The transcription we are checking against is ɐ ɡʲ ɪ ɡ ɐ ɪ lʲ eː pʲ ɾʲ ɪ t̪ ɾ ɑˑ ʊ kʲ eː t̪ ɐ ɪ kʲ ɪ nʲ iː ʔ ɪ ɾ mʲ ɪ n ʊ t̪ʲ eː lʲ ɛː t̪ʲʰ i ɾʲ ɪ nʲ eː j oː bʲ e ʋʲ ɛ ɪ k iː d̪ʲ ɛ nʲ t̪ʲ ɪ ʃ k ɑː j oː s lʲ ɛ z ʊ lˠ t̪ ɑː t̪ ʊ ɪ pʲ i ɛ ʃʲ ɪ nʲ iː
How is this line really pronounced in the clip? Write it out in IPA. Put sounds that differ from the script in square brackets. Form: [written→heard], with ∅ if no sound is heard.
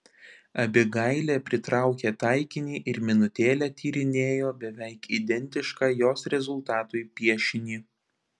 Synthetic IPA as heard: ɐ [ɡʲ→bʲ] ɪ ɡ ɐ ɪ lʲ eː pʲ ɾʲ ɪ t̪ ɾ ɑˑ ʊ kʲ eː t̪ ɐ ɪ kʲ ɪ nʲ iː ʔ ɪ ɾ mʲ ɪ n ʊ t̪ʲ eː lʲ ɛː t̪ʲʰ [i→iː] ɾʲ ɪ nʲ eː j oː bʲ [e→ɛ] ʋʲ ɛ ɪ k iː d̪ʲ ɛ nʲ t̪ʲ ɪ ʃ k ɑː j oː s [lʲ→ɾʲ] ɛ z ʊ lˠ t̪ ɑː t̪ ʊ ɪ pʲ i ɛ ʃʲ ɪ nʲ iː